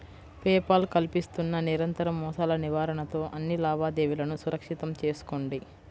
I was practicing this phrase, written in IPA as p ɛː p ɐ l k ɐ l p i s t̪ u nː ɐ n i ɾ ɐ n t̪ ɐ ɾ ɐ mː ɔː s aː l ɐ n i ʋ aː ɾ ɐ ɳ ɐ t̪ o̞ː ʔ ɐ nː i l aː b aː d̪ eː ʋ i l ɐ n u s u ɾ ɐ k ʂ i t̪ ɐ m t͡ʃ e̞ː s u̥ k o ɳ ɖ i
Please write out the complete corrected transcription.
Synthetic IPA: p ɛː p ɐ l k ɐ l p i s t̪ u nː ɐ n i ɾ ɐ n t̪ ɐ ɾ ɐ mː ɔː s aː l ɐ n i ʋ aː ɾ ɐ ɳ ɐ t̪ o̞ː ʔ ɐ nː i l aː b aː d̪ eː ʋ i l ɐ n u s u ɾ ɐ k ʂ i t̪ ɐ m t͡ʃ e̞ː s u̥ k o ɳ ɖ i